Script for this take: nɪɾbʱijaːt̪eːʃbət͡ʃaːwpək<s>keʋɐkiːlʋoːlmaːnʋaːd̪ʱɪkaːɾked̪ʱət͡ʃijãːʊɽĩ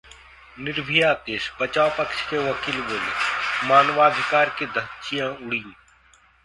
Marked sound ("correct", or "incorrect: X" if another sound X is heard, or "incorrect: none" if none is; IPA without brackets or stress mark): incorrect: ʃ